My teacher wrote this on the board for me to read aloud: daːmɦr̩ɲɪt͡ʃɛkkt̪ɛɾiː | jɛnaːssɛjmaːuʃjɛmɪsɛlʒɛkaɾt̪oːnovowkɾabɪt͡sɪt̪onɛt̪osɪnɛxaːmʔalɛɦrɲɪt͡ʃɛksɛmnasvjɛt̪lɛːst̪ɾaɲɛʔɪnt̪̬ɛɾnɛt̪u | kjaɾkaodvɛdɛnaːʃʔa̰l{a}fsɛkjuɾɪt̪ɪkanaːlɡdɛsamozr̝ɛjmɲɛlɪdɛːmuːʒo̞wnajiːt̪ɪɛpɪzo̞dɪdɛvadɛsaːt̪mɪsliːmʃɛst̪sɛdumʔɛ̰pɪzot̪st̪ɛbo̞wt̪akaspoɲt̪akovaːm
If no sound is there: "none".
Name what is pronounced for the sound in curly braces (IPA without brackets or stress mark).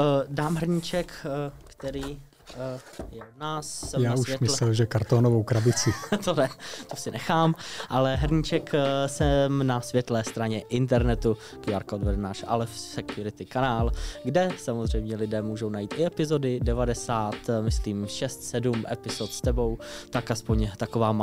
ɛ